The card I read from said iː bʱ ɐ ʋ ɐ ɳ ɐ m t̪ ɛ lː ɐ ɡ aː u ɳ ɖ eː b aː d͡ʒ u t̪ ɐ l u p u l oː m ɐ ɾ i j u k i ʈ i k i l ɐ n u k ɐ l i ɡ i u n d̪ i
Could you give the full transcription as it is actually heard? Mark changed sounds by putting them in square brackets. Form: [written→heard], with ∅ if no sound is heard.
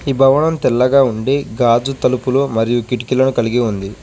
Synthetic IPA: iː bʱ ɐ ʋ ɐ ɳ ɐ m t̪ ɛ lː ɐ ɡ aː u ɳ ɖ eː [b→ɡ] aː d͡ʒ u t̪ ɐ l u p u l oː m ɐ ɾ i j u k i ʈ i k i l ɐ n u k ɐ l i ɡ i u n d̪ i